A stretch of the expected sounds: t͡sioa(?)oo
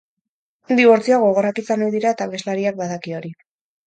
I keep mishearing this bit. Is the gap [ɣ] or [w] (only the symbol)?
ɣ